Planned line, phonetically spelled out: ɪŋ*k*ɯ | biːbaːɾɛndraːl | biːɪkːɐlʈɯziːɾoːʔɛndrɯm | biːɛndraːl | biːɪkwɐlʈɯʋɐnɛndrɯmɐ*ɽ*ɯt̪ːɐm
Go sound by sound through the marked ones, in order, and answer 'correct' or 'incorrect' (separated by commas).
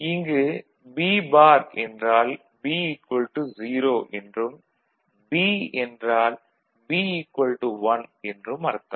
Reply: incorrect, incorrect